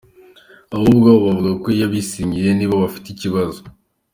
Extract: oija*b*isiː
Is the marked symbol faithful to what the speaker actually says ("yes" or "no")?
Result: no